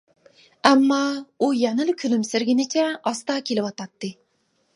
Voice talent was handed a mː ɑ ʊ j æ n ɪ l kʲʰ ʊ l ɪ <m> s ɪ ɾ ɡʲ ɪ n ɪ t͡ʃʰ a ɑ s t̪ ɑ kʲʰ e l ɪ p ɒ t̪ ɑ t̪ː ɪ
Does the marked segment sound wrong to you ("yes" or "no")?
no